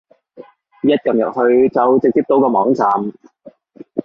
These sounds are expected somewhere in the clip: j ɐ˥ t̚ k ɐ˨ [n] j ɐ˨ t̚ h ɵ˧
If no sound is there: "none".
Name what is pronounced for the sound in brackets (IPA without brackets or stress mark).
m